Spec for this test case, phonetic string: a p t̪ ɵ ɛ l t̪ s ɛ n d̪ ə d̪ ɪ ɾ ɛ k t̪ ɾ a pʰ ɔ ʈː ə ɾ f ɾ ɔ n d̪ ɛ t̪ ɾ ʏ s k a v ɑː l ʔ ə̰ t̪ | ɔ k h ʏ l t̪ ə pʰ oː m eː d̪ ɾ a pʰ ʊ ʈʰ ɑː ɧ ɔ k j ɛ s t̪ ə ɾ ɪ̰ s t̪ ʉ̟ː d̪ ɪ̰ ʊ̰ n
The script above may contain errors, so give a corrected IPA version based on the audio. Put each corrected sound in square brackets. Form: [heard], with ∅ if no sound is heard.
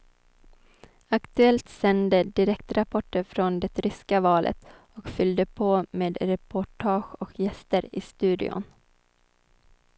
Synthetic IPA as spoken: a [k] t̪ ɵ ɛ l t̪ s ɛ n d̪ ə d̪ ɪ ɾ ɛ k t̪ ɾ a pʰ ɔ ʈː ə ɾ f ɾ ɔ n d̪ ɛ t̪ ɾ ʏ s k a v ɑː l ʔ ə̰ t̪ | ɔ k [f] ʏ l [d̪] ə pʰ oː m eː d̪ ɾ [ɛ] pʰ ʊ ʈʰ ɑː ɧ ɔ k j ɛ s t̪ ə ɾ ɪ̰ s t̪ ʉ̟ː d̪ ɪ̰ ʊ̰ n